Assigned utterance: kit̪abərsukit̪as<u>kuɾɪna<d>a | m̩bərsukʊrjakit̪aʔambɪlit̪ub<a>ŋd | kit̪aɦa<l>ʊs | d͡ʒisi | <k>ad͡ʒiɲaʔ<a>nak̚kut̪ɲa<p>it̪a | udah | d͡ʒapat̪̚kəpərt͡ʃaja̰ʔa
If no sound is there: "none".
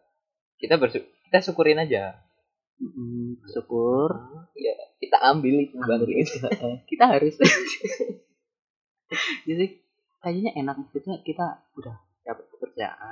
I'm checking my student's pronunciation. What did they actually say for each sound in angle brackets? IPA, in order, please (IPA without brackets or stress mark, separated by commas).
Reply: u, d͡ʒ, a, ɾ, k, e, k